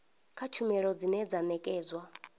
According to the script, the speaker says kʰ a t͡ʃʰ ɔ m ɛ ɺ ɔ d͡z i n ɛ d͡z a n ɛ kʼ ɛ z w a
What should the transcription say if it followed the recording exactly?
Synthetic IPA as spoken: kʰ a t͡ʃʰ u m ɛ ɺ ɔ d͡z i n ɛ d͡z a n ɛ kʼ ɛː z w a